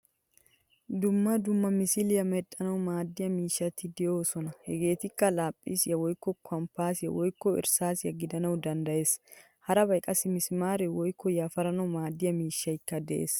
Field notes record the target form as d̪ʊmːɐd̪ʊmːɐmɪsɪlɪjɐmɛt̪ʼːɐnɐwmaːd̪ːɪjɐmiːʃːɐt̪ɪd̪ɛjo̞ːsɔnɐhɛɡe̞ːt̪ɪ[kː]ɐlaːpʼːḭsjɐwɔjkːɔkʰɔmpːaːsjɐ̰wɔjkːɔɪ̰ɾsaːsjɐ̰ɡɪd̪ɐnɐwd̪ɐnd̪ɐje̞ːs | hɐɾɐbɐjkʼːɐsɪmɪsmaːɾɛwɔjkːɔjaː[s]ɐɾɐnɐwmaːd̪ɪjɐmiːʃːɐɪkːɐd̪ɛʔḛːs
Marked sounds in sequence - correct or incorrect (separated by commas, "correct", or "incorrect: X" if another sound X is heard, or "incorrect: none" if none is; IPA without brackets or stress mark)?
correct, incorrect: f